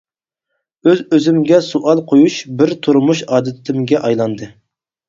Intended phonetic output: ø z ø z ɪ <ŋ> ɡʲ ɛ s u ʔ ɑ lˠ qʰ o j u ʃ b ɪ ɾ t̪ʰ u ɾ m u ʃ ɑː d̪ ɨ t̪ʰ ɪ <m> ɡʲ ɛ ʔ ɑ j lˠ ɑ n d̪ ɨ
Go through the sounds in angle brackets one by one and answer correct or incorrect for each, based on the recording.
incorrect: m, correct

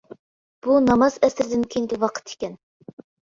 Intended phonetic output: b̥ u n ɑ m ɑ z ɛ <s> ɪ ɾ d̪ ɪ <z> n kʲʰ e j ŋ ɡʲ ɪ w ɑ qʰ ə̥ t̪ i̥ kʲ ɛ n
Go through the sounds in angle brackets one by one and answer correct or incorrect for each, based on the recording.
correct, incorrect: none

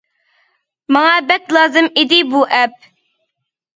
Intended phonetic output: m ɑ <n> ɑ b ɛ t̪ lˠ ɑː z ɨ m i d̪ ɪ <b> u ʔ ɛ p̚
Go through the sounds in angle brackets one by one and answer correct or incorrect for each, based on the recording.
incorrect: ŋ, correct

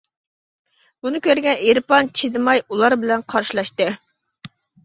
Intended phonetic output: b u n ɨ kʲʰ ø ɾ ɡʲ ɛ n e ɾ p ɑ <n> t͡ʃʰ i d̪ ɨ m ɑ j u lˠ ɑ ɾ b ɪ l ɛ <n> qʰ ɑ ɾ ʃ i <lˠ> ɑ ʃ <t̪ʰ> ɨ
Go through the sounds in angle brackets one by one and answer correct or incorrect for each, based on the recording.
correct, correct, correct, incorrect: t̪

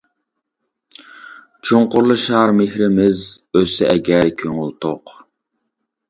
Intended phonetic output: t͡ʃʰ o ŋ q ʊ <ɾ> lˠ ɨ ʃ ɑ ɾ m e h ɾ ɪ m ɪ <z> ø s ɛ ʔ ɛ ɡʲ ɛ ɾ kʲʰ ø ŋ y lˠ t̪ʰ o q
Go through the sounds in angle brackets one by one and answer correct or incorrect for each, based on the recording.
correct, correct

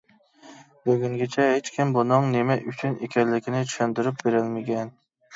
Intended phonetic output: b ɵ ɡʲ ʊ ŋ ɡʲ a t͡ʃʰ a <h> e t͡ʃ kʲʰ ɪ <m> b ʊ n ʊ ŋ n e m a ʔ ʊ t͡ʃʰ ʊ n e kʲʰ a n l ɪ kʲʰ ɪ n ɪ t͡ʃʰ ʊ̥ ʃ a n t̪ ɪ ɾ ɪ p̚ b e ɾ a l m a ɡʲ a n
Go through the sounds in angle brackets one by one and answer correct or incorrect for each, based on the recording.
correct, correct

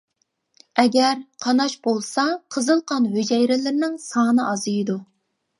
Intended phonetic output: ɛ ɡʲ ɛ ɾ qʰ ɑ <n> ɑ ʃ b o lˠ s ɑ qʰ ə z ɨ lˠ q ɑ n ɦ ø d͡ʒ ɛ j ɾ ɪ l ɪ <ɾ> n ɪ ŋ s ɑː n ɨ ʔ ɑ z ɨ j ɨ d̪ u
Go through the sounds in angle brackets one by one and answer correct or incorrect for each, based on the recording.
correct, correct

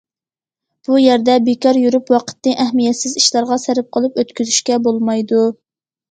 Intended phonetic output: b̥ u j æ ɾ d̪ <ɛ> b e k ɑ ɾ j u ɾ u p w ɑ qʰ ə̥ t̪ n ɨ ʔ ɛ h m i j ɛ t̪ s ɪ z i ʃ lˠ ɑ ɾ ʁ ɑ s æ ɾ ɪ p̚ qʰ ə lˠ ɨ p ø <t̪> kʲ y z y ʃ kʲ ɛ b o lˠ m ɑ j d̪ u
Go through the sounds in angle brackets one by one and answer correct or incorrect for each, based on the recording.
correct, correct

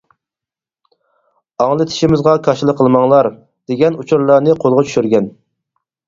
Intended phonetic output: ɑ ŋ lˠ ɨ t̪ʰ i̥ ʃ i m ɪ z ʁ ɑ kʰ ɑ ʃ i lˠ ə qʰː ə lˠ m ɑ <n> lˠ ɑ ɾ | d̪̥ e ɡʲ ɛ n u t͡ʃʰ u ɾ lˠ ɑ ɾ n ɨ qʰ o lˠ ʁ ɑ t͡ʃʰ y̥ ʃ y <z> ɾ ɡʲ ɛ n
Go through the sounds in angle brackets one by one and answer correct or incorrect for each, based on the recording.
incorrect: ŋ, incorrect: none

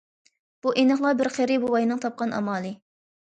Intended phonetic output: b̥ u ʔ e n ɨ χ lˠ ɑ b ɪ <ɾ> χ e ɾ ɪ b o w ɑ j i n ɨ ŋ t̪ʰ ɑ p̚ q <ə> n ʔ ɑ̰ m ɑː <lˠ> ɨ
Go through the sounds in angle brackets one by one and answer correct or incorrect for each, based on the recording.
correct, incorrect: ɑ, correct

